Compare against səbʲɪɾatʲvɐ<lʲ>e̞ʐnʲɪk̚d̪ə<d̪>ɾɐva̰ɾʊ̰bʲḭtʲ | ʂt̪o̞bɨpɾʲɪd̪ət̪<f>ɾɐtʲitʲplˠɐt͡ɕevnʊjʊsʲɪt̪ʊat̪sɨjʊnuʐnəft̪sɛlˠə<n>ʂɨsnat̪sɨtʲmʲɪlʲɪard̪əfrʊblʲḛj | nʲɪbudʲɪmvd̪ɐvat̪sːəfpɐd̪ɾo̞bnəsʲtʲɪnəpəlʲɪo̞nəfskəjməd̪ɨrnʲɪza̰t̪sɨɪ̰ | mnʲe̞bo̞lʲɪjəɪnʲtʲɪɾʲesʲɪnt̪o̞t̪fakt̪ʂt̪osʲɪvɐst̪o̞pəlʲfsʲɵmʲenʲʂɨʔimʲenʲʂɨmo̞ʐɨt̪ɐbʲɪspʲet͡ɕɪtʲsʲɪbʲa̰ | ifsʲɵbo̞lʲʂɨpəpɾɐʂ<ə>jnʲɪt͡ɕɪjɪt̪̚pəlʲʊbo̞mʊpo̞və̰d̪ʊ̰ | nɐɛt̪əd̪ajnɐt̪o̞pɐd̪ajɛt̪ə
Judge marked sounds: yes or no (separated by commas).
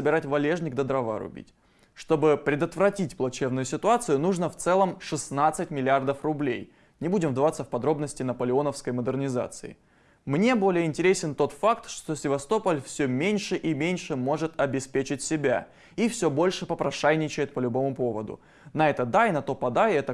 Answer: yes, yes, no, no, no